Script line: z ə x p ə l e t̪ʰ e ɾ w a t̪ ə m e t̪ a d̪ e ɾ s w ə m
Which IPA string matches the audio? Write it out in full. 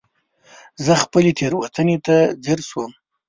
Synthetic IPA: z ə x p ə l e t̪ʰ e ɾ w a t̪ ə n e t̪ a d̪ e ɾ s w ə m